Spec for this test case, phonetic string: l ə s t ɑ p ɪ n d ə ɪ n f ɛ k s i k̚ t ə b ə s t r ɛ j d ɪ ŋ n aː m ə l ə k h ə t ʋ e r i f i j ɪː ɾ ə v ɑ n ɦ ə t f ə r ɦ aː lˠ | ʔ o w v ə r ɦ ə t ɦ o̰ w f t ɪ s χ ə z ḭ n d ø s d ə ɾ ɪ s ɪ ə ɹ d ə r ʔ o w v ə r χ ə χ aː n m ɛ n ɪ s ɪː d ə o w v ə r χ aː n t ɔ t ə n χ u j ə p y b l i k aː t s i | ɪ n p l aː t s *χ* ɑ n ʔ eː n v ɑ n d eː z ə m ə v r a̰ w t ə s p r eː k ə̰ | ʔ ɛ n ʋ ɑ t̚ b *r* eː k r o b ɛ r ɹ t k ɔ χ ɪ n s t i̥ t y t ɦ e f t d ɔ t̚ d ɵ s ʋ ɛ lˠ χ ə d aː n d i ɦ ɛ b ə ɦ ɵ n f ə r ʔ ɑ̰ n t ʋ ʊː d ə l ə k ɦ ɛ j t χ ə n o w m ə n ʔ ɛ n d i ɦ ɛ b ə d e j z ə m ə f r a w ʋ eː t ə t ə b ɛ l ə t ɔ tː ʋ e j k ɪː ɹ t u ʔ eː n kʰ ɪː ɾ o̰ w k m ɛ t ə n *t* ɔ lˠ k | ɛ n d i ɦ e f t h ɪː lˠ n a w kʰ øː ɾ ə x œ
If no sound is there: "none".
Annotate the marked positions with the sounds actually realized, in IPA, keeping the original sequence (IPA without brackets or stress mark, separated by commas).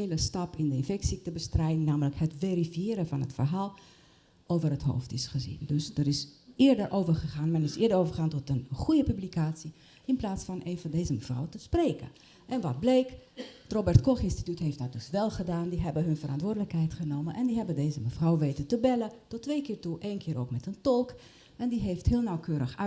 f, l, t